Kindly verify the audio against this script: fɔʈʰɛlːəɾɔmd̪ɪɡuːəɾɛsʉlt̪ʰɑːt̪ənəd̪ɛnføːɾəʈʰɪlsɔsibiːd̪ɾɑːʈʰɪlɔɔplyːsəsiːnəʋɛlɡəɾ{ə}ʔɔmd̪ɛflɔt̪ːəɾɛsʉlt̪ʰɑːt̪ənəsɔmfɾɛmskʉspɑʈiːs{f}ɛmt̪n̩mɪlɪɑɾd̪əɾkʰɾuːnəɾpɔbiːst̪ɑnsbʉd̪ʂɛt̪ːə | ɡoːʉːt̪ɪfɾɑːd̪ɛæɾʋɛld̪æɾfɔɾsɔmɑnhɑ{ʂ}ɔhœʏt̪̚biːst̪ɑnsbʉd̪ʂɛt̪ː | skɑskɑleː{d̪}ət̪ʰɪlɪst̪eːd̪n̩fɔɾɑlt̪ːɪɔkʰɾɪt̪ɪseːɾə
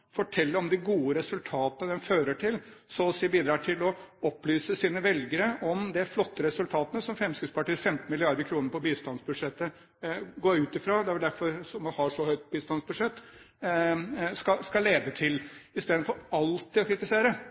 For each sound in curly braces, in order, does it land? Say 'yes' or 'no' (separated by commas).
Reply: yes, yes, yes, yes